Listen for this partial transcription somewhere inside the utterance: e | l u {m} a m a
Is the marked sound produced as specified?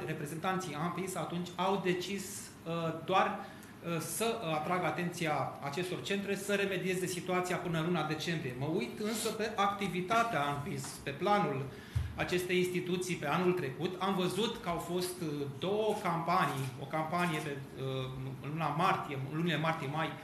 no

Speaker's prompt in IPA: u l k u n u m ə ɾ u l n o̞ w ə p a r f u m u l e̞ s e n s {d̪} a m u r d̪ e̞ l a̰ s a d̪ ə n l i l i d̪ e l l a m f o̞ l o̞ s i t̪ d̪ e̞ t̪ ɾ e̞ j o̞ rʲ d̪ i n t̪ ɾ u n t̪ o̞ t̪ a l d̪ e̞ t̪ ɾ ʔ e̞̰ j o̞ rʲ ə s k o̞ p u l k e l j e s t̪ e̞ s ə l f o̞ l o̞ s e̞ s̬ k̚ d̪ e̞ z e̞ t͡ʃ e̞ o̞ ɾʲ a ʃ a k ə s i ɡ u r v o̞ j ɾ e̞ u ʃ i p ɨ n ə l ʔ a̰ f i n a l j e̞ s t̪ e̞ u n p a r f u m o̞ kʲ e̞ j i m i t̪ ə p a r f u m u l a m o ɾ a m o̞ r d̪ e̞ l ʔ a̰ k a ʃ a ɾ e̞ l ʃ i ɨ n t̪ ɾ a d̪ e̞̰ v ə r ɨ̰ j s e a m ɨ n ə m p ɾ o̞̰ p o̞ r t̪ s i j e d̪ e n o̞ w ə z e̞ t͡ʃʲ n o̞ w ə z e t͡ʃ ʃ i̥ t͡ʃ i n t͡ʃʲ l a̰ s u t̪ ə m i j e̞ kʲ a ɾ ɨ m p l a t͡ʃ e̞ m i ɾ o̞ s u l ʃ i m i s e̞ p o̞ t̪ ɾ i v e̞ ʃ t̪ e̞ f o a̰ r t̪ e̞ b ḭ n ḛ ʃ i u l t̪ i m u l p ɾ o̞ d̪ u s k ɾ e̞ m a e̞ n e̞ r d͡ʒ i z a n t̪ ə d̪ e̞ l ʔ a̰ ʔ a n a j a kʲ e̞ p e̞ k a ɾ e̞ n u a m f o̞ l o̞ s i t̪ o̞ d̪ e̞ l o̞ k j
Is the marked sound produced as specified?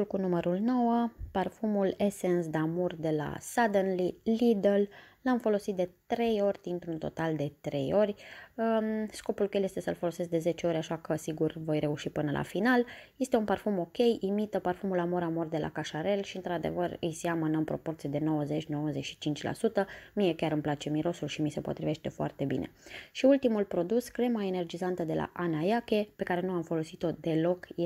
yes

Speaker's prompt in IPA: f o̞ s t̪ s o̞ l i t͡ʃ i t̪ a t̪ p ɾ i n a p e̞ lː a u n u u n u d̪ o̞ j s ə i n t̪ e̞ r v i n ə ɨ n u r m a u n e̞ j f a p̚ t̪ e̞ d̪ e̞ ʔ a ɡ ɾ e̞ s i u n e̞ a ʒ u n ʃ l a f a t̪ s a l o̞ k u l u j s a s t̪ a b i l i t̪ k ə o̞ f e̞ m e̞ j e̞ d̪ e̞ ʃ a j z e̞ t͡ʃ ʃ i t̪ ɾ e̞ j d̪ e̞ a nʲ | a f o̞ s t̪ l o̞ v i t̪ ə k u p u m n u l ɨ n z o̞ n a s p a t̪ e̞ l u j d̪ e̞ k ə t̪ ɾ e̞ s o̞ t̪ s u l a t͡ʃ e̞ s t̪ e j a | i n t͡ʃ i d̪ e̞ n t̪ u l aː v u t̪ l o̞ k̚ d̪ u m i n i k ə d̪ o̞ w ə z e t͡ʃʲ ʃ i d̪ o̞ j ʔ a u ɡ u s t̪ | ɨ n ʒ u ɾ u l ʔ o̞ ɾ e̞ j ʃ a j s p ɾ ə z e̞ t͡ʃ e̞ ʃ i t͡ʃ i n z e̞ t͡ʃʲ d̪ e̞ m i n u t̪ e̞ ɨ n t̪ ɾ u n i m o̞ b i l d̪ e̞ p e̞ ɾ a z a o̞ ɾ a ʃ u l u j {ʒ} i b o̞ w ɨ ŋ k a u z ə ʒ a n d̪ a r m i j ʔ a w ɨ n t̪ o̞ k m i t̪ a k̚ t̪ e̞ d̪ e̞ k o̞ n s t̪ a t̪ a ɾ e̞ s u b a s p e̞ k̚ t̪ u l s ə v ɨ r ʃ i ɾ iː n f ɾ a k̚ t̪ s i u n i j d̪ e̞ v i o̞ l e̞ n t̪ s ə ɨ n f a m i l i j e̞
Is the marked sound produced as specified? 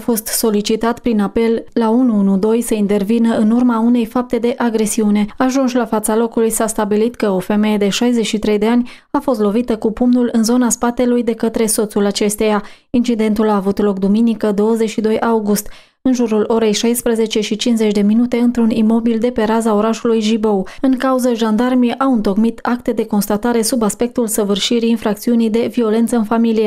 yes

